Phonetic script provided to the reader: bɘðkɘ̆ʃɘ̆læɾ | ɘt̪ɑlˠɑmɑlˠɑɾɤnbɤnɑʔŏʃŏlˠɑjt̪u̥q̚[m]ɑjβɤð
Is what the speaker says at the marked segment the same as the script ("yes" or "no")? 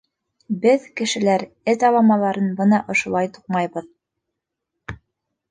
yes